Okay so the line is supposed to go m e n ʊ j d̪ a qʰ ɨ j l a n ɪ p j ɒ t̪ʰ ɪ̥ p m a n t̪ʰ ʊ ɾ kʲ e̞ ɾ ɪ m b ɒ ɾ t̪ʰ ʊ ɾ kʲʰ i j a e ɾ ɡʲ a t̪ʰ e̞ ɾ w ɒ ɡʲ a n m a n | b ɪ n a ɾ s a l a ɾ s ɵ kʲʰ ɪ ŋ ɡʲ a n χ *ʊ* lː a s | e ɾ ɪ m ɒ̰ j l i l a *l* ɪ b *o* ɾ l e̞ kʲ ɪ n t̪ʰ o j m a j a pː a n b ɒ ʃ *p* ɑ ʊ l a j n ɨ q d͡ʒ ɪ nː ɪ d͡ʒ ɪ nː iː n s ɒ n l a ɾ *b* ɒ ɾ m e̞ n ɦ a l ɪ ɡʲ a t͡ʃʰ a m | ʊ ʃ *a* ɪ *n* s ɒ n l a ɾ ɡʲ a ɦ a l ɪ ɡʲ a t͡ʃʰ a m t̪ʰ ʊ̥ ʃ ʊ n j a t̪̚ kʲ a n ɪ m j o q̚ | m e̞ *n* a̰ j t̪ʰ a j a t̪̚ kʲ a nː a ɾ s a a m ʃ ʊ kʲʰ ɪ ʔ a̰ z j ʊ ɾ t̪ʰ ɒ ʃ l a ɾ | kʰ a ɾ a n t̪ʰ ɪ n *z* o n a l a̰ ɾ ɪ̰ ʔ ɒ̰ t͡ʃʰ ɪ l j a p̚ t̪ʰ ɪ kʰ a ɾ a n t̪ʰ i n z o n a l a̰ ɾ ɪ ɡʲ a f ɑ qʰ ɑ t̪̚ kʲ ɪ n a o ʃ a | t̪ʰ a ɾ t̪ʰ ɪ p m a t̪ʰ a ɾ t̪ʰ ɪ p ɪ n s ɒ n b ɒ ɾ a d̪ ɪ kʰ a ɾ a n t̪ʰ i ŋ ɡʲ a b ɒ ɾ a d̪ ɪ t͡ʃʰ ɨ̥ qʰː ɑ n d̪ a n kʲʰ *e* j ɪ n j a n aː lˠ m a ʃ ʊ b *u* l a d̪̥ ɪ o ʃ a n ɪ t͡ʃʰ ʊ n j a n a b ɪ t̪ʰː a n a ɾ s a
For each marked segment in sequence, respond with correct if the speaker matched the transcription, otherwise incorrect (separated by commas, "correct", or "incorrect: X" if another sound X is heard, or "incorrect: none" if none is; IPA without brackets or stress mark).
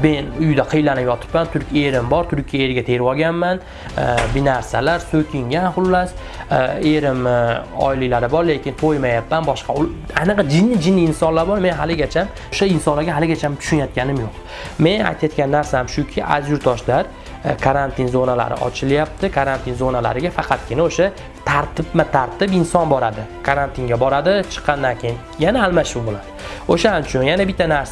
correct, incorrect: ɾ, incorrect: ɒ, incorrect: q, correct, correct, correct, correct, correct, correct, incorrect: o